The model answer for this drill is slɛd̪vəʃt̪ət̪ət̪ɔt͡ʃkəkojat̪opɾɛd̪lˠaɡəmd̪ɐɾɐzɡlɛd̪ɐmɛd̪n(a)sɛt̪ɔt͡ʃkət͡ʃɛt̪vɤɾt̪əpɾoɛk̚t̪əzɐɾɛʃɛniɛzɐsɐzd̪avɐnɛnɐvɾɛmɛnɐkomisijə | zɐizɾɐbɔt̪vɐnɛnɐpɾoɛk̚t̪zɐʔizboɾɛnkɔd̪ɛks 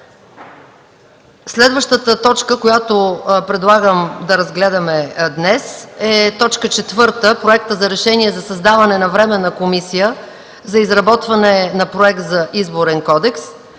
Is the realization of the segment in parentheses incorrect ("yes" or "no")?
yes